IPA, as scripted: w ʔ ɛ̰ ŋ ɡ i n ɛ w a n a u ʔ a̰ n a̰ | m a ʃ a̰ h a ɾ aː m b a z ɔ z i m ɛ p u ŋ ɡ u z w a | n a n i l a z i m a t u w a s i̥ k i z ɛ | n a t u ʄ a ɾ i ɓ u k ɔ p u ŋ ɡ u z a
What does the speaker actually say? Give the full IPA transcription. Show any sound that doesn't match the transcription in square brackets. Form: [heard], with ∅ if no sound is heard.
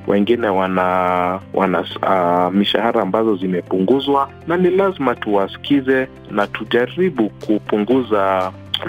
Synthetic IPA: w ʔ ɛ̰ ŋ ɡ i n ɛ w a n a [w] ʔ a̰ n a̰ | m [i] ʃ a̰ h a ɾ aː m b a z ɔ z i m ɛ p u ŋ ɡ u z w a | n a n i l a z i m a t u w a s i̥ k i z ɛ | n a t u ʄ a ɾ i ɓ u k [u] p u ŋ ɡ u z a